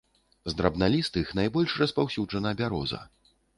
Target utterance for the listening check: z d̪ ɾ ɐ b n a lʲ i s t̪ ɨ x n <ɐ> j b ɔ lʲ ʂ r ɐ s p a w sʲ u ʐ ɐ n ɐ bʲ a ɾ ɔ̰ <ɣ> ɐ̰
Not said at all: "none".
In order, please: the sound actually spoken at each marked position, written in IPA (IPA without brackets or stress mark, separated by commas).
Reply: a, z